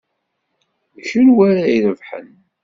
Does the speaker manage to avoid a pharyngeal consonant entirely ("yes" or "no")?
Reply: no